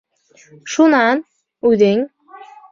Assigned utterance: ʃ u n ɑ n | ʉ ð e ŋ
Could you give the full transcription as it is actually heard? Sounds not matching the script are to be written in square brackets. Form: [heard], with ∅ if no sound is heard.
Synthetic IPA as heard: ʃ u n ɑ n | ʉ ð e ŋ